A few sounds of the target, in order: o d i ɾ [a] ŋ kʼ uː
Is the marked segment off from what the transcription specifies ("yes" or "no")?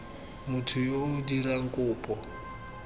no